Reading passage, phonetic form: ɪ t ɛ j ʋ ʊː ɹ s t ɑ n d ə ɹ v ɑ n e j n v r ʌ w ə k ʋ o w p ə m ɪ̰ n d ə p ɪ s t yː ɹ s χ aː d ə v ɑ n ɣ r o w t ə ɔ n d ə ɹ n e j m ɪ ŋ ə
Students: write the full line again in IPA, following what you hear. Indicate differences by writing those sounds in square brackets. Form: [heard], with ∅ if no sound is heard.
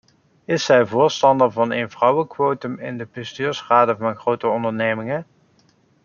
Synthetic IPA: ɪ [s] ɛ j [v] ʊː ɹ s t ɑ n d ə ɹ v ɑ n e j n v r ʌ w ə k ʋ o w [t] ə m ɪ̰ n d ə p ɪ s t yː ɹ s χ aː d ə v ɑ n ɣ r o w t ə ɔ n d ə ɹ n e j m ɪ ŋ ə